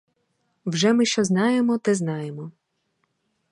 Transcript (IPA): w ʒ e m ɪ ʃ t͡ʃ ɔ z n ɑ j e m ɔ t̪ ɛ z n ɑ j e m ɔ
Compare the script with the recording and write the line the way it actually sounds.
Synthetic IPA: w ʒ ɛ m ɪ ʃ t͡ʃ ɔ z n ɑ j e m ɔ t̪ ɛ z n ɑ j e m ɔ